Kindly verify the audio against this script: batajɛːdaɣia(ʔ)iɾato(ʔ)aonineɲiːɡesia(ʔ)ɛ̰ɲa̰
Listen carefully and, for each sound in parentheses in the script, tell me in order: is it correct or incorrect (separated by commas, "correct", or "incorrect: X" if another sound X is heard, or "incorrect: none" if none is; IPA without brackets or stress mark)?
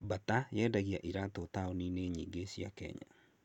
correct, incorrect: t, incorrect: k